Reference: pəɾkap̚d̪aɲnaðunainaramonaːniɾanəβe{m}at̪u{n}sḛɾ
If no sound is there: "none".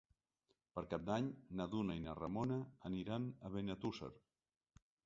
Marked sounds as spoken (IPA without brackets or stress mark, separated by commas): n, none